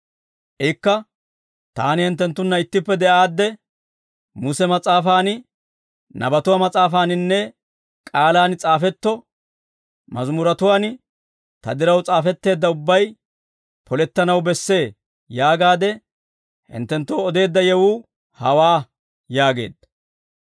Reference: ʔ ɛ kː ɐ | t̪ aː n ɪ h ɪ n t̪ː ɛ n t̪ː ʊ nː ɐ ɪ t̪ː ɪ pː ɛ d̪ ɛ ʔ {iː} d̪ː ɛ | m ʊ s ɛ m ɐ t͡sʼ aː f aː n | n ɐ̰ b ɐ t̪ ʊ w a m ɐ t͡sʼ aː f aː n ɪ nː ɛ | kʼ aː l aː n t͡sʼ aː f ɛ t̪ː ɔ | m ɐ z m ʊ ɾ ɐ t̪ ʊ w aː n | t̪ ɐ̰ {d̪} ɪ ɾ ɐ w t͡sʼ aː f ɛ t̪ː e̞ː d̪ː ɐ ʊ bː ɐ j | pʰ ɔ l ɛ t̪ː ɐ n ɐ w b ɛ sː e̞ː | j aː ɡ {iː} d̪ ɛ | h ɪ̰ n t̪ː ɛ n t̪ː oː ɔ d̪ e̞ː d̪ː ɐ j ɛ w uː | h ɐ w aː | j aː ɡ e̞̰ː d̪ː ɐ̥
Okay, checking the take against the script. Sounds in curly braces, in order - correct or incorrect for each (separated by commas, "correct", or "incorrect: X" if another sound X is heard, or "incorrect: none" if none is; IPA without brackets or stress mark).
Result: incorrect: aː, correct, incorrect: aː